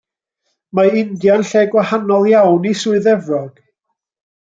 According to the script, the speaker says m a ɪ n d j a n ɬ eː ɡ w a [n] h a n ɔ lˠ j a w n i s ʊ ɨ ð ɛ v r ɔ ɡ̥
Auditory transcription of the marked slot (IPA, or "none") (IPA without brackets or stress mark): none